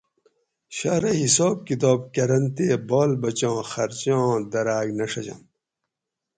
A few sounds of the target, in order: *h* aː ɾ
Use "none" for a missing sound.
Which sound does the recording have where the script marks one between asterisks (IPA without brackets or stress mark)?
ɕ